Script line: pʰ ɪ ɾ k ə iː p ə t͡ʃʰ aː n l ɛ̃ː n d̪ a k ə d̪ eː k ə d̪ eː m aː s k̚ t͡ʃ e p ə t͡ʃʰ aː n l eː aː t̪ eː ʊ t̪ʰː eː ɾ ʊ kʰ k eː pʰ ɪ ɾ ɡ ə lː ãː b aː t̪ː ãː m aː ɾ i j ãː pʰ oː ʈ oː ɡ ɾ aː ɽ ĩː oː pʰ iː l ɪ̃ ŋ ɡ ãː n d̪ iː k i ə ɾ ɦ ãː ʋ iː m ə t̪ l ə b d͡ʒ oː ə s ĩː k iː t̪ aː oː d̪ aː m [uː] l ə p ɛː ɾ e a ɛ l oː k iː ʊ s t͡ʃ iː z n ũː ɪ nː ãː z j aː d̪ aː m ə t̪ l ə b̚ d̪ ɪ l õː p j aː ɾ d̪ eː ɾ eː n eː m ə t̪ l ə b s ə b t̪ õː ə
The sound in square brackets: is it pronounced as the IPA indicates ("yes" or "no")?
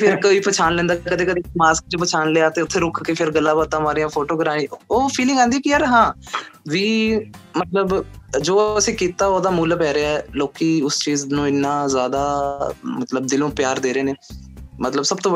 yes